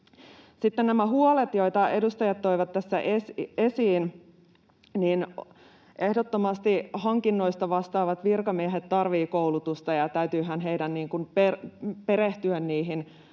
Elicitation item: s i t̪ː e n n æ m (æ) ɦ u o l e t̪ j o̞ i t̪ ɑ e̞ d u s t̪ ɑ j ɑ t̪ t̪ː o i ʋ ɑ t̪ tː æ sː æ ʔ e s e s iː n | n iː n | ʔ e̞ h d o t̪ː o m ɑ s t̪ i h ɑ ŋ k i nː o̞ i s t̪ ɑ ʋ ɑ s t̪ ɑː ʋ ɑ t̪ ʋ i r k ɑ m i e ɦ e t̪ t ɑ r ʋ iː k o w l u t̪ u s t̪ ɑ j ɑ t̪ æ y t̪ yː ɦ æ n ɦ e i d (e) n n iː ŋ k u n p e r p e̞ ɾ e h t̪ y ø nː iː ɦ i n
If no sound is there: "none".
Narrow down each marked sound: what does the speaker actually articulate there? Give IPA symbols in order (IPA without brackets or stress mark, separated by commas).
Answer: æ, æ